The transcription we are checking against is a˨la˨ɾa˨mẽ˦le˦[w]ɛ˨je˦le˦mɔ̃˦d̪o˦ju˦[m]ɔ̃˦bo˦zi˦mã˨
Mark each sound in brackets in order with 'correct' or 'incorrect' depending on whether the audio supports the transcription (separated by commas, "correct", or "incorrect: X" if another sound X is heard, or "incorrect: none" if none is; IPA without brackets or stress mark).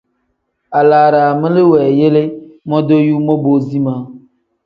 correct, correct